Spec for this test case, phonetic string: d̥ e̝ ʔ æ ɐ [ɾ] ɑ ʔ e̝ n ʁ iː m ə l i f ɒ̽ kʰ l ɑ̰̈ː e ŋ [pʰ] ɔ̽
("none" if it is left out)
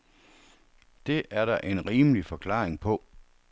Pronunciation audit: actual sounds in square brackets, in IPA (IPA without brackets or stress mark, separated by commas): ɾ, pʰ